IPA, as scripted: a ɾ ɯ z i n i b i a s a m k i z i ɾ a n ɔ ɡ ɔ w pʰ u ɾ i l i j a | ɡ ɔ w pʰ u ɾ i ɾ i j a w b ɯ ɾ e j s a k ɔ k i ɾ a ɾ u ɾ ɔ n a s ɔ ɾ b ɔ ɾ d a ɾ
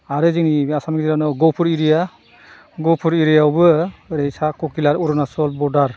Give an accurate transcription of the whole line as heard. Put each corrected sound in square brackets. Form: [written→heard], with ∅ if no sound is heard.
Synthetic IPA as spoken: a ɾ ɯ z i n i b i a s a m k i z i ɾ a n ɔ ɡ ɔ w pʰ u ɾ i [l→ɾ] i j a | ɡ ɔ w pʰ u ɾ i ɾ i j a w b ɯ ɾ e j s a k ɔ k i [ɾ→l] a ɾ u ɾ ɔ n a s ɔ [ɾ→l] b ɔ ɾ d a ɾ